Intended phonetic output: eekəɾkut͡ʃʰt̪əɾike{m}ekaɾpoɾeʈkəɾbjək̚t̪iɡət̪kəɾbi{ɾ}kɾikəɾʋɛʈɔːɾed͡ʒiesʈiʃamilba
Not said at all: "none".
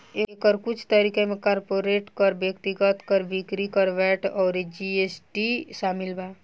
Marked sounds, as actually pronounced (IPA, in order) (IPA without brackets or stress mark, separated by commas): m, none